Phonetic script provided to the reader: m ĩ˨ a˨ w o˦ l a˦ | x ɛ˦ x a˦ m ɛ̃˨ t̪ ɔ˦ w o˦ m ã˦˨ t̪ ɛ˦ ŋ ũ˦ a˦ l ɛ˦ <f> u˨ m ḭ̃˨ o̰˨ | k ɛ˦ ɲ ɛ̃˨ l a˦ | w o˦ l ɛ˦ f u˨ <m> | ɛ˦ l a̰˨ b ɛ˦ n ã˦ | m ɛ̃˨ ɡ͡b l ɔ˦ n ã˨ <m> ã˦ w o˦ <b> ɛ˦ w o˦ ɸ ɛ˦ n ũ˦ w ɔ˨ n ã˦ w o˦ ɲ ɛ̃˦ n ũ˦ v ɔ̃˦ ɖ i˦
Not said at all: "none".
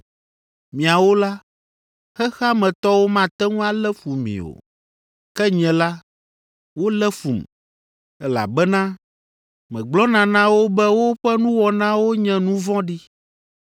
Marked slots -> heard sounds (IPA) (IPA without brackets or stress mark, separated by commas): f, m, n, b